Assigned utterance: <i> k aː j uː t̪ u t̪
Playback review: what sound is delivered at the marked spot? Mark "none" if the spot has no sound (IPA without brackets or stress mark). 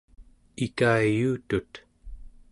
i